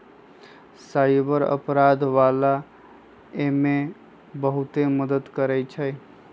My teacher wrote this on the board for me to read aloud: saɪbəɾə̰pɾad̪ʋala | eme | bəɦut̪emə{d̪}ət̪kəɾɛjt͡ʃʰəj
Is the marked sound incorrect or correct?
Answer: correct